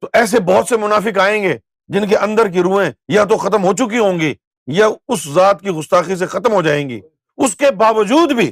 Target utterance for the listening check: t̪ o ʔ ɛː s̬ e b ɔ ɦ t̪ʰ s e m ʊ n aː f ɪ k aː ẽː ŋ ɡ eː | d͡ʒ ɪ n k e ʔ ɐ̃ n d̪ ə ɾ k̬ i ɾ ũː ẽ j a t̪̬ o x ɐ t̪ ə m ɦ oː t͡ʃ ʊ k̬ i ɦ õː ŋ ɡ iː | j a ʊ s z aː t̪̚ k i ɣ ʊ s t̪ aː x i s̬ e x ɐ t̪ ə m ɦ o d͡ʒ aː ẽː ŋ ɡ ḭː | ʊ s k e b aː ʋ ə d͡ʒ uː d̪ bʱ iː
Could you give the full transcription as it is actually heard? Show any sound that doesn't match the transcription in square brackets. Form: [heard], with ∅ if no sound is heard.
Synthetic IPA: t̪ o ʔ ɛː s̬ e b ɔ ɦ [t̪] s e m ʊ n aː f ɪ k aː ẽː ŋ ɡ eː | d͡ʒ ɪ n k e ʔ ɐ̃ n d̪ ə ɾ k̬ i ɾ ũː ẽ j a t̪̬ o x ɐ t̪ ə m ɦ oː t͡ʃ ʊ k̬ i ɦ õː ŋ ɡ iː | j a ʊ s z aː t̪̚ k i ɣ ʊ s t̪ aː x i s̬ e x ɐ t̪ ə m ɦ o d͡ʒ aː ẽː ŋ ɡ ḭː | ʊ s k e b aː ʋ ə d͡ʒ uː d̪ bʱ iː